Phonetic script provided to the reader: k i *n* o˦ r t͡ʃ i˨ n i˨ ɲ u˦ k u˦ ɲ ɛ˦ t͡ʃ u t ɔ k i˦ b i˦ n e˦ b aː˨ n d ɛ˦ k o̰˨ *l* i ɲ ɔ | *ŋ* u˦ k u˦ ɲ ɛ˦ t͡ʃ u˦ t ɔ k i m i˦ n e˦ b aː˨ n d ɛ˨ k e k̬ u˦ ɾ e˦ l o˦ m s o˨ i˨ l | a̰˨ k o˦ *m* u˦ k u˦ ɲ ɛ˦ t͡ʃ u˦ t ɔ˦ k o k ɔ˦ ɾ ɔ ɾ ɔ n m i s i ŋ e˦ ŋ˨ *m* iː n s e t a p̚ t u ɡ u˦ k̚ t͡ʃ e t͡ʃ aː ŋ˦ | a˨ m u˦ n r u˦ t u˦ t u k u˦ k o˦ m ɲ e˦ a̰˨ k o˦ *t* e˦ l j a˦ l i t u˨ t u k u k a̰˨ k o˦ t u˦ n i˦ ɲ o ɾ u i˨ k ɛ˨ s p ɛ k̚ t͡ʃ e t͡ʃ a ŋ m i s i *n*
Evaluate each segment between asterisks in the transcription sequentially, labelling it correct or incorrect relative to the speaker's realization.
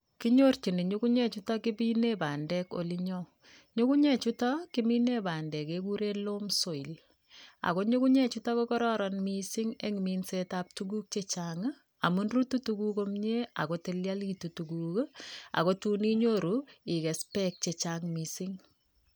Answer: incorrect: ɲ, correct, incorrect: ɲ, incorrect: ɲ, correct, correct, incorrect: ŋ

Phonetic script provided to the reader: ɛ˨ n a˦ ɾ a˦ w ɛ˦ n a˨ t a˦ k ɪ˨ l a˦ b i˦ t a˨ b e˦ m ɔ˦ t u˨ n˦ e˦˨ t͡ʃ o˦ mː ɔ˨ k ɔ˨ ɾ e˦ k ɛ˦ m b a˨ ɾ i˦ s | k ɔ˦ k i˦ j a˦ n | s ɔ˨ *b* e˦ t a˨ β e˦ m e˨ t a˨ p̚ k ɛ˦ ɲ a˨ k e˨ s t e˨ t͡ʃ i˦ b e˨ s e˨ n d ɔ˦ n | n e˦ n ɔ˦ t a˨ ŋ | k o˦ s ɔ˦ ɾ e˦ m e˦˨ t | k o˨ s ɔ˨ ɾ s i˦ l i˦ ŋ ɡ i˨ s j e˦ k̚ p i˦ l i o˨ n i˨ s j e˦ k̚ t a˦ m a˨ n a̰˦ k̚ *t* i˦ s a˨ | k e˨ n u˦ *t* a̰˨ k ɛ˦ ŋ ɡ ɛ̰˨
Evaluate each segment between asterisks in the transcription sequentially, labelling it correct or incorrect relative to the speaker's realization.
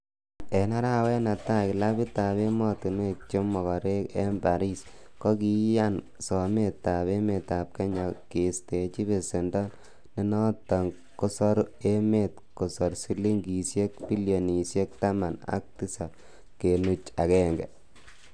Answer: incorrect: m, correct, incorrect: t͡ʃ

